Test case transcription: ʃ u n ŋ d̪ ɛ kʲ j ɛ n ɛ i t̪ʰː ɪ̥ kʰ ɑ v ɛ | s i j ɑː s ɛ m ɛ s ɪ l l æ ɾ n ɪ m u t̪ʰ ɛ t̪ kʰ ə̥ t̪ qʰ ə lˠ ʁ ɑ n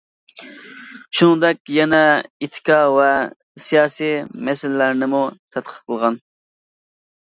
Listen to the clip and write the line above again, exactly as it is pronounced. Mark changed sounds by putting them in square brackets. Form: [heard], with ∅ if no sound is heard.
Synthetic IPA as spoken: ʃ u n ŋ d̪ ɛ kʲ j ɛ n ɛ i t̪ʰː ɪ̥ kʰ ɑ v ɛ | s i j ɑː s [i] m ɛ s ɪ l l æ ɾ n ɪ m u t̪ʰ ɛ t̪ [qʰ] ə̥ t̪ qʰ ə lˠ ʁ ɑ n